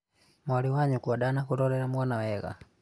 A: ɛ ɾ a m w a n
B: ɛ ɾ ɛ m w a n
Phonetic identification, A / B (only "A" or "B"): A